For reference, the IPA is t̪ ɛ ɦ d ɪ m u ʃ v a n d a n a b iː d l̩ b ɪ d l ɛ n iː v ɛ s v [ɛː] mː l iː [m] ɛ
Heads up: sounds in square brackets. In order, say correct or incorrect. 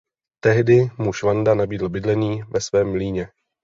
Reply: correct, incorrect: ɲ

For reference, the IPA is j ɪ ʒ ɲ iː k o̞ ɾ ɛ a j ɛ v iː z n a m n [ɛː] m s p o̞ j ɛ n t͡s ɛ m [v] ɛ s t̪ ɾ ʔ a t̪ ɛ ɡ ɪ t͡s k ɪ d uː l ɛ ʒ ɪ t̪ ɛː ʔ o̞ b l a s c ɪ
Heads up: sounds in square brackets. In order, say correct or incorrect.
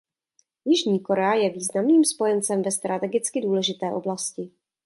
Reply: incorrect: iː, correct

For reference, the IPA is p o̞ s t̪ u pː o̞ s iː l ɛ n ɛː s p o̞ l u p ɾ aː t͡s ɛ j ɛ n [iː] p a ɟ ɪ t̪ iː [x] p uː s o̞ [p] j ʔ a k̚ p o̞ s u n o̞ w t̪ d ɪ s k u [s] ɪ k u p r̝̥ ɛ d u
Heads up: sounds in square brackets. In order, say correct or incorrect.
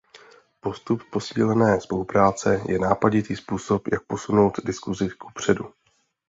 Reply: incorrect: aː, incorrect: s, correct, incorrect: z

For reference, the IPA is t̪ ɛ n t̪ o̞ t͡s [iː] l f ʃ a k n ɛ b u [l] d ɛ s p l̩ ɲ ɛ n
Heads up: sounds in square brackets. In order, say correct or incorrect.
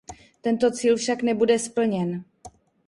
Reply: correct, incorrect: none

